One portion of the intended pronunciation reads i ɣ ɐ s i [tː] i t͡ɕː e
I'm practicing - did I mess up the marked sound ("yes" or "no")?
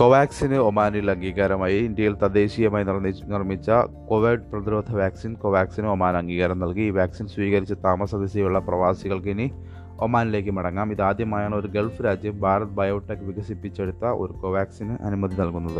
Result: yes